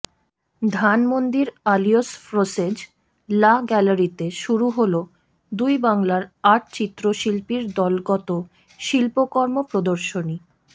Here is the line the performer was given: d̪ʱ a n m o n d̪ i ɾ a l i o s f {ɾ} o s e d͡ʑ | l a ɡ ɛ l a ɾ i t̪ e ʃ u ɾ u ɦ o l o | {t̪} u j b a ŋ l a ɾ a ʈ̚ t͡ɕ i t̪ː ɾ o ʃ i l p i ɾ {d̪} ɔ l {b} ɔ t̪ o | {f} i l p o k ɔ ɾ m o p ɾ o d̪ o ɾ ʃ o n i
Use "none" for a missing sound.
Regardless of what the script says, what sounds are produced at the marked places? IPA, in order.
ɾ, d̪, d̪, ɡ, ʃ

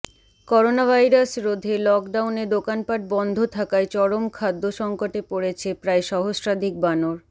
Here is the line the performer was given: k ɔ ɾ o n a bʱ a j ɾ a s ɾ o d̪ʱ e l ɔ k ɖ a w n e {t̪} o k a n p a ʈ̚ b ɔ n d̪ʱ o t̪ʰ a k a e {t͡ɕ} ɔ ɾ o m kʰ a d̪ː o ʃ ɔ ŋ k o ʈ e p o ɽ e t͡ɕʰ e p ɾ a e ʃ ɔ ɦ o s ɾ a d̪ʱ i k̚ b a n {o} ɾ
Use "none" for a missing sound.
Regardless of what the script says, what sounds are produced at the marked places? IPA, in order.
d̪, t͡ɕ, o

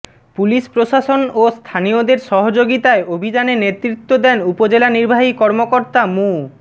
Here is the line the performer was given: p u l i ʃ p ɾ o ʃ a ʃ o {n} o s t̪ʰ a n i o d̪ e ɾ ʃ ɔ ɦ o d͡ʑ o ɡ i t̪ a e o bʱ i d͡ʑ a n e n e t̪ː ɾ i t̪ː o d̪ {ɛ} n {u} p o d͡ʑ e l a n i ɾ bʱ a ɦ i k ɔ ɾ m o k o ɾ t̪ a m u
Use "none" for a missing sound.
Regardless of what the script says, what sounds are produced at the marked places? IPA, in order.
n, ɛ, u

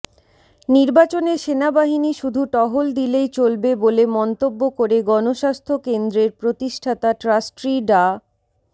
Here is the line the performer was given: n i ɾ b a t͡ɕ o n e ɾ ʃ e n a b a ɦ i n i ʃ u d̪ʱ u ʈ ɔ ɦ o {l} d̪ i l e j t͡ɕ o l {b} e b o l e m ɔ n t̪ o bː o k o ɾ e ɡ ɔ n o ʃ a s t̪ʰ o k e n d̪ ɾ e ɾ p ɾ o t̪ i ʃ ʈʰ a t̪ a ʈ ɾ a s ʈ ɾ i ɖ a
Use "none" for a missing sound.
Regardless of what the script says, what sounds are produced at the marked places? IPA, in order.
l, b

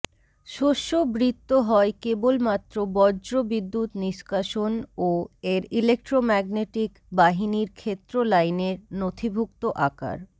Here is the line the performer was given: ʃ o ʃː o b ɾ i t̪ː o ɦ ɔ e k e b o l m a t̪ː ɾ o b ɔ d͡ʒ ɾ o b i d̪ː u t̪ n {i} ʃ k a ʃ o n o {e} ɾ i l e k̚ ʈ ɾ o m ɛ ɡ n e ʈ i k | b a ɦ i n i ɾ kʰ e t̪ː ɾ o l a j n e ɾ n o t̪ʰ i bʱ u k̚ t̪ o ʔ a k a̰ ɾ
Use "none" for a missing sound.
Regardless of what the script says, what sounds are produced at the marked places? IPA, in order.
i, e

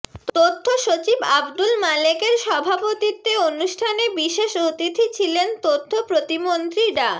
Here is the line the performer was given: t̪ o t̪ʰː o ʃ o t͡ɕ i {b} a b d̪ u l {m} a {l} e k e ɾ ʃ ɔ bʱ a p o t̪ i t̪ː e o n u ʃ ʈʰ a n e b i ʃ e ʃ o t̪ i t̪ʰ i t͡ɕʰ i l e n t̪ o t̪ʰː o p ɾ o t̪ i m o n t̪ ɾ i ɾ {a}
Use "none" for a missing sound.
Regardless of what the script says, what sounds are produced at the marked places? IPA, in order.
b, m, l, a

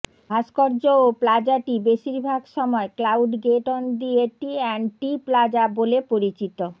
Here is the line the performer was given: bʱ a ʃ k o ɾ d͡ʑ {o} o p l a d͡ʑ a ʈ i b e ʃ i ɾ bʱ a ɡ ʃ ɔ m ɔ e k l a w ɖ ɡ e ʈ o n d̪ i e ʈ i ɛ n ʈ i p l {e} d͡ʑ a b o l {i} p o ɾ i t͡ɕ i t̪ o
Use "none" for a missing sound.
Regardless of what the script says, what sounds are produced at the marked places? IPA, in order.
o, a, e

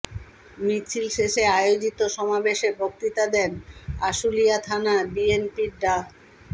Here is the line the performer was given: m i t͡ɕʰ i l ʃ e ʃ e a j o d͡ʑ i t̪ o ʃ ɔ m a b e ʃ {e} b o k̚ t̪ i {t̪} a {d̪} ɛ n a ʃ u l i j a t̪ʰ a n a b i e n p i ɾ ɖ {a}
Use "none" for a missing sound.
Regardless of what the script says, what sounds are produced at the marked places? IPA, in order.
e, t̪, d̪, a

